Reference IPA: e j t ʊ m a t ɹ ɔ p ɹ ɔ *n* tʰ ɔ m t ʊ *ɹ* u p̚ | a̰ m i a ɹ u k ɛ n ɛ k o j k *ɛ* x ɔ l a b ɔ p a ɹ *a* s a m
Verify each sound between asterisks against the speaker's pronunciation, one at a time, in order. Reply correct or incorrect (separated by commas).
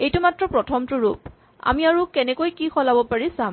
incorrect, correct, incorrect, incorrect